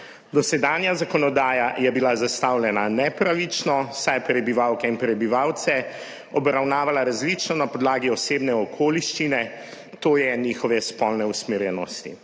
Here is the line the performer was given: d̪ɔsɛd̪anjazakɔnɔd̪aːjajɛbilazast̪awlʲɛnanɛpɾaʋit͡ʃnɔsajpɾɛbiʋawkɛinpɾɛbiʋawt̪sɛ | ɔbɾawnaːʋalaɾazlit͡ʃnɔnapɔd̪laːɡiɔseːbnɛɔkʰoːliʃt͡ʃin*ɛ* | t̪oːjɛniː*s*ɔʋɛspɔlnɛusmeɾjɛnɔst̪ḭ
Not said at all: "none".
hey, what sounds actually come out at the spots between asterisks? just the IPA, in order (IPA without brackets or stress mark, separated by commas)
ɛ, x